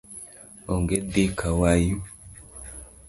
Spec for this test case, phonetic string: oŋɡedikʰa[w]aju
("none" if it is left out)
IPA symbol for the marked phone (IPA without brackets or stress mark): w